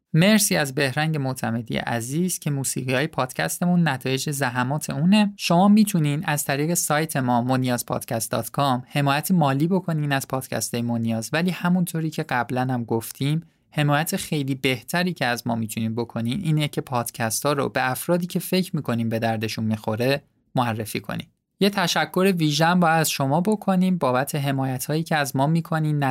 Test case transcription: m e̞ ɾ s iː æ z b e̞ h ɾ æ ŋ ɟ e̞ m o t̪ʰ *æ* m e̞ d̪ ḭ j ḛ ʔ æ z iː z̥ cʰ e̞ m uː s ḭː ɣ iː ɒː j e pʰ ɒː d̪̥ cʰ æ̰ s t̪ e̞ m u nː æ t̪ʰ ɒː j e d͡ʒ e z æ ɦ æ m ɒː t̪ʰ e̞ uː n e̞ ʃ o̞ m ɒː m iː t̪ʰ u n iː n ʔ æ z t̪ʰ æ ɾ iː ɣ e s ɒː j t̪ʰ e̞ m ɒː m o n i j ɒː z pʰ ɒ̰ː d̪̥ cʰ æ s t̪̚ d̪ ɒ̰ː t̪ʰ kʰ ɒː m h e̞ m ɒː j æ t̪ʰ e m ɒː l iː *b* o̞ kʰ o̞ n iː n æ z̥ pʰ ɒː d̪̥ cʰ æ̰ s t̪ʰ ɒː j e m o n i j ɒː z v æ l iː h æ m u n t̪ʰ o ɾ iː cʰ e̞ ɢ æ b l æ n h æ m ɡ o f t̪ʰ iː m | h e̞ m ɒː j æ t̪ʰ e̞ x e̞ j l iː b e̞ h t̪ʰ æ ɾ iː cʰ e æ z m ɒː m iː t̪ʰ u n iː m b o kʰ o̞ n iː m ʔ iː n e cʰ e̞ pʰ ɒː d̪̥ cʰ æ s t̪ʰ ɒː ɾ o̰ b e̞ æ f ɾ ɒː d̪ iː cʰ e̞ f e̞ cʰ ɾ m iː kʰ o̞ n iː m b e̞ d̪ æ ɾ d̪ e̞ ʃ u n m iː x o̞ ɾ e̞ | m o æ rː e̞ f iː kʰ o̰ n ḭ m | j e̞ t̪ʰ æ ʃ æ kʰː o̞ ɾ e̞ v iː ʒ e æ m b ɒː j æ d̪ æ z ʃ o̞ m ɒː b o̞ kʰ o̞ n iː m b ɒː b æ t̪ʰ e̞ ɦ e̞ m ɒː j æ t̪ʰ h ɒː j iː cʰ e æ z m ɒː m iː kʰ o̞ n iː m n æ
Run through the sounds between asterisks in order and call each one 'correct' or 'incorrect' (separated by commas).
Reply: correct, correct